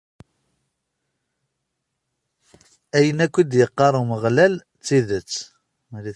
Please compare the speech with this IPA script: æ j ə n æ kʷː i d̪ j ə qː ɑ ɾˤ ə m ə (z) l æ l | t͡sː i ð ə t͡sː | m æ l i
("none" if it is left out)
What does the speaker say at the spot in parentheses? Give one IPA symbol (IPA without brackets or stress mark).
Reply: ʁ